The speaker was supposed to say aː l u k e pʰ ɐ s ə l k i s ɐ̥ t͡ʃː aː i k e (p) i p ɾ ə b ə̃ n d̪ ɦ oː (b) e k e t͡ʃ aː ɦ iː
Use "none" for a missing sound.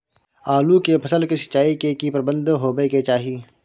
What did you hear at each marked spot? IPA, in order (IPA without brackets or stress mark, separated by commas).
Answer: k, b